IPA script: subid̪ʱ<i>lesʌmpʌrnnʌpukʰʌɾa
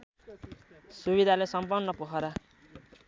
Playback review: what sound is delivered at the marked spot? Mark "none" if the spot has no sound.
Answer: a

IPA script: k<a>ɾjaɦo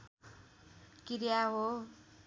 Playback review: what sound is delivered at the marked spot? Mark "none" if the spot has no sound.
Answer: i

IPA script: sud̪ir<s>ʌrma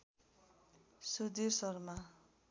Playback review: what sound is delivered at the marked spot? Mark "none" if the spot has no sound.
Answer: s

